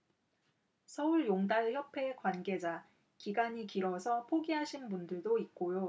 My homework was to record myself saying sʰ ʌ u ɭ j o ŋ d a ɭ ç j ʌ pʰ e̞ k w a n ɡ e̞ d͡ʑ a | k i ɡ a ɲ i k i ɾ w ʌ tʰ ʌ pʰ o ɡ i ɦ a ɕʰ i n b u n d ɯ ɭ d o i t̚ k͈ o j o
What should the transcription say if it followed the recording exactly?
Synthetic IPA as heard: sʰ ʌ u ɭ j o ŋ d a ɭ ç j ʌ pʰ e̞ k w a n ɡ e̞ d͡ʑ a | k i ɡ a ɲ i k i ɾ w ʌ sʰ ʌ pʰ o ɡ i ɦ a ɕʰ i n b u n d ɯ ɭ d o i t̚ k͈ o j o